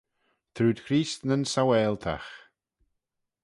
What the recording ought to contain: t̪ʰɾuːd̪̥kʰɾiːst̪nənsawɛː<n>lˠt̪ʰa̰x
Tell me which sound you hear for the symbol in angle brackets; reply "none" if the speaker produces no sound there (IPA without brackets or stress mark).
none